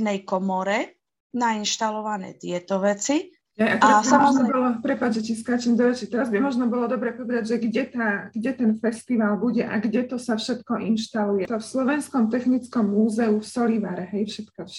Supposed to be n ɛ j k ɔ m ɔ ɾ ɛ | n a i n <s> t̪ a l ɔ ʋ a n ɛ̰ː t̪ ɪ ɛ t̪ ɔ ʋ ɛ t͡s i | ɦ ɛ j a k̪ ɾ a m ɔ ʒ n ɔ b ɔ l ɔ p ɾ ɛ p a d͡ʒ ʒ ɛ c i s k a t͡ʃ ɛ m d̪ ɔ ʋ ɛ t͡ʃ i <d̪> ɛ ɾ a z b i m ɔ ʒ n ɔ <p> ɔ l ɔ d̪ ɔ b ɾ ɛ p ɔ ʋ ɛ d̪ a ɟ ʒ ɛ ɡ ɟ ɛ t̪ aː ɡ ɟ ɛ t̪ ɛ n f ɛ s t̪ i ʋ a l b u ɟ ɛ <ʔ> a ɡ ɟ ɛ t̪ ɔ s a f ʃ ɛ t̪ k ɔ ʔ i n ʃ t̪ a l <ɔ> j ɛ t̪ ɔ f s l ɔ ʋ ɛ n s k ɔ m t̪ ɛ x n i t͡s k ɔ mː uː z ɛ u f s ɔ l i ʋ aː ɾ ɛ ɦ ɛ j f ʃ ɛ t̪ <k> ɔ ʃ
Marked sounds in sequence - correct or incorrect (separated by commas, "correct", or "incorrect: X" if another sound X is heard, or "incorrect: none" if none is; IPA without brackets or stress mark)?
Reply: incorrect: ʃ, incorrect: t̪, incorrect: b, correct, incorrect: u, correct